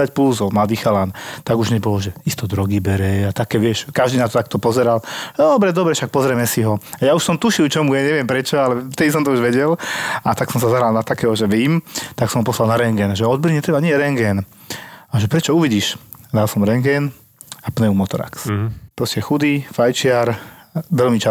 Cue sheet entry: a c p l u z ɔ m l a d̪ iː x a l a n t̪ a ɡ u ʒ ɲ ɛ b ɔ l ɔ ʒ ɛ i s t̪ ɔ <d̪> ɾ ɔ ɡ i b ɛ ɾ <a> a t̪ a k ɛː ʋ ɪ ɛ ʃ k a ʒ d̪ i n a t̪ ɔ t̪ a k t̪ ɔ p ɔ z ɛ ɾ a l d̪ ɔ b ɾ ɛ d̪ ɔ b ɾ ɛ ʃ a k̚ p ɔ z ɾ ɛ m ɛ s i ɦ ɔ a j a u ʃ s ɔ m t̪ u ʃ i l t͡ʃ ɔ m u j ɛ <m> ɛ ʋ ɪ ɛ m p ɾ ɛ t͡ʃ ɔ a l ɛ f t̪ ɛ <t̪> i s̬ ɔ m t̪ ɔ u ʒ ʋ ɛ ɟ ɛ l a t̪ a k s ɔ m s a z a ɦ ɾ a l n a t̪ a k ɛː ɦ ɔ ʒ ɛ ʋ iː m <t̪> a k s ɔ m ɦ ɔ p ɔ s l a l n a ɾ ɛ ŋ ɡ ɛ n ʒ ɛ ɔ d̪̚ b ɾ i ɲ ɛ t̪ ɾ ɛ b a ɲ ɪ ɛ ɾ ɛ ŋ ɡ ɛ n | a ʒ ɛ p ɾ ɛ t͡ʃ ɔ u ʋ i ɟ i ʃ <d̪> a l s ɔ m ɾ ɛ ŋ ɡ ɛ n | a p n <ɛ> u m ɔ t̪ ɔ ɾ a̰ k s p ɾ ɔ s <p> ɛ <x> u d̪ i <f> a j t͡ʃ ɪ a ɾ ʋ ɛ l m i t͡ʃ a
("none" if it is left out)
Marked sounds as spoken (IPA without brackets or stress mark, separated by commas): d̪, ɛ, ɲ, d̪, t̪, d̪, ɛ, c, x, f